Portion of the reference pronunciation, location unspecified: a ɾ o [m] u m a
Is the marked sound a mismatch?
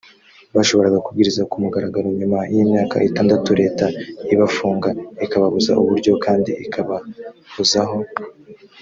yes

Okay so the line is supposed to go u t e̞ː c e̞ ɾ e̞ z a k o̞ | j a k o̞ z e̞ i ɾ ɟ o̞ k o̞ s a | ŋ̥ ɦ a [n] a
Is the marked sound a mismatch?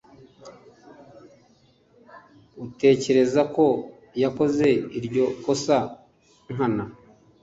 no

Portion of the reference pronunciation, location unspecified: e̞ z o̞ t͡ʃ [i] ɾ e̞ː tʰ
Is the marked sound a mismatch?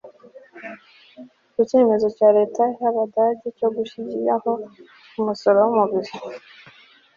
yes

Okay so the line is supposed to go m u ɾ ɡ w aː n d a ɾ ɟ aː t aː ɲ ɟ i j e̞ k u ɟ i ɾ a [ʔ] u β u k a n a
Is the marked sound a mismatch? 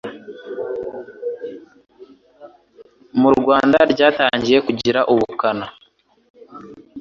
no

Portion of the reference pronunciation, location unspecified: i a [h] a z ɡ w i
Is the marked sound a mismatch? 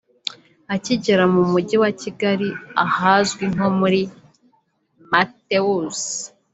no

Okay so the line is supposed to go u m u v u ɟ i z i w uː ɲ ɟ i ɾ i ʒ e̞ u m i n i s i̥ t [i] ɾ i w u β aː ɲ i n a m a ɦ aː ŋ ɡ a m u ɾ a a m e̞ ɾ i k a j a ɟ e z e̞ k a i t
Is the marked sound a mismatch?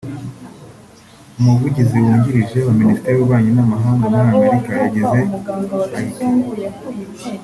yes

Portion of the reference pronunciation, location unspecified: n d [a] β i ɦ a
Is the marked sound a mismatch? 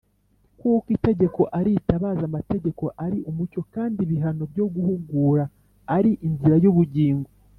yes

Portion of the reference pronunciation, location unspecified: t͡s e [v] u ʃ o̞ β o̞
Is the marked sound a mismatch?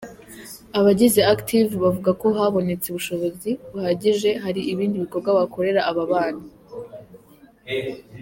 yes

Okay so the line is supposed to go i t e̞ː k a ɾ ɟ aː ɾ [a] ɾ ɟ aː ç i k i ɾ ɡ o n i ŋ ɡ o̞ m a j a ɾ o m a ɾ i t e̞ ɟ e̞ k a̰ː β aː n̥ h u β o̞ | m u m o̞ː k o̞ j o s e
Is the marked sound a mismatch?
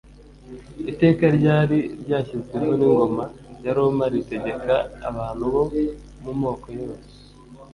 yes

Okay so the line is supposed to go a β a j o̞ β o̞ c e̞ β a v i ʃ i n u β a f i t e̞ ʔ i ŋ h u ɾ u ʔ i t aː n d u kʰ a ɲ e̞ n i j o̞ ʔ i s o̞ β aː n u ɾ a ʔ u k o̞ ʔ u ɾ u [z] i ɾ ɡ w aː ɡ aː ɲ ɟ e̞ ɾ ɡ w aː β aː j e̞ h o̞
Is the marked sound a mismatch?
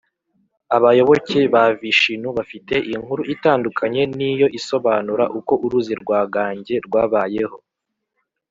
no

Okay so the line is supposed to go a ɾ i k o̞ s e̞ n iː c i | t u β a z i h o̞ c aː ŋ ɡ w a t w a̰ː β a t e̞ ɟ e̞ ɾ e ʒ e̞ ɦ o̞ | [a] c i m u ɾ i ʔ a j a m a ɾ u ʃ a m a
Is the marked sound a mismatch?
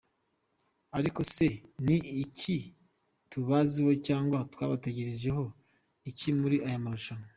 yes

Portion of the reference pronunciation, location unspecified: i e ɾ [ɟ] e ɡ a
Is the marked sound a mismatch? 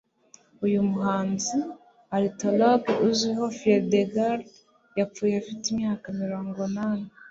yes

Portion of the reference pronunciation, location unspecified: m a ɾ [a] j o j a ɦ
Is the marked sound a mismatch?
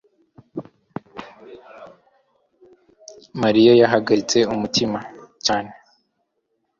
yes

